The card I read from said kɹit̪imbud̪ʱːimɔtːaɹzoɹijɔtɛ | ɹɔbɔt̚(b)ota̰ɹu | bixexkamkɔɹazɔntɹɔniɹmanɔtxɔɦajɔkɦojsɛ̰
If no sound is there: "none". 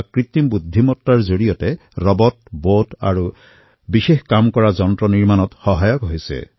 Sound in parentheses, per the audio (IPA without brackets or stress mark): b